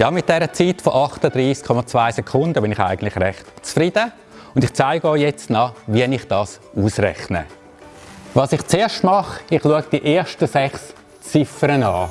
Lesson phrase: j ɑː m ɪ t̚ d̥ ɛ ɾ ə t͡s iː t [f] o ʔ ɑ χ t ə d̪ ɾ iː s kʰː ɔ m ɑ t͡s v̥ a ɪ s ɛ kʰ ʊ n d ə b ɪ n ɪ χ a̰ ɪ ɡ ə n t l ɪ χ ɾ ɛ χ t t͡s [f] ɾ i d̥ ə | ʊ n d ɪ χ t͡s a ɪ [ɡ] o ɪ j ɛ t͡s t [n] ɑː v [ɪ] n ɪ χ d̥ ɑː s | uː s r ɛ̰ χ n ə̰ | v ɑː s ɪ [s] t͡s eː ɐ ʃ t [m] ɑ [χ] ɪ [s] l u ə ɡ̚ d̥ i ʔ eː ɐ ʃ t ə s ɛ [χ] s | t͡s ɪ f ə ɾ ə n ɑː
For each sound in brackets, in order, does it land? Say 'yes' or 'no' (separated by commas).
yes, yes, yes, yes, no, no, yes, yes, no, yes